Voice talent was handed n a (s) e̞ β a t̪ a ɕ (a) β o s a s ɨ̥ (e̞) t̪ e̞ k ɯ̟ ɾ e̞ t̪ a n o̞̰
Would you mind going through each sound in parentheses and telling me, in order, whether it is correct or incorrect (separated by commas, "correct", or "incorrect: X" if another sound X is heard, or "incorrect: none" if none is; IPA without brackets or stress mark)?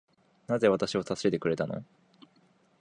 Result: incorrect: z, incorrect: i, correct